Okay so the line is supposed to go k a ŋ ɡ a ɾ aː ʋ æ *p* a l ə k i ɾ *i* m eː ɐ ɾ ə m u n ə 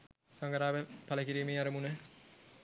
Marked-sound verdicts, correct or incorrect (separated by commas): correct, incorrect